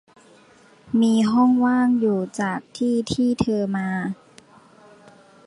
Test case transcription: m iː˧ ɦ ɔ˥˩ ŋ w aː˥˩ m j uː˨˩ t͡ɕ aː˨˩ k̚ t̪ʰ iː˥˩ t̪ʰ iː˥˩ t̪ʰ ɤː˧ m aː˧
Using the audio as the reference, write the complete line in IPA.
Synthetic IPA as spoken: m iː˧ ɦ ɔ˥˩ ŋ w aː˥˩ ŋ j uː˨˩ t͡ɕ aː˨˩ k̚ t̪ʰ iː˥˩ t̪ʰ iː˥˩ t̪ʰ ɤː˧ m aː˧